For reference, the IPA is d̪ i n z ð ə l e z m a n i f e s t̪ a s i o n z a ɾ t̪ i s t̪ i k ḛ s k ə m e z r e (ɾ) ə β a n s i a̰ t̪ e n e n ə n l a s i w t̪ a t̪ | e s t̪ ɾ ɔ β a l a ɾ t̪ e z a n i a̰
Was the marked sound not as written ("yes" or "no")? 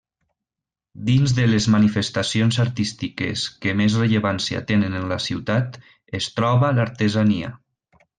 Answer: yes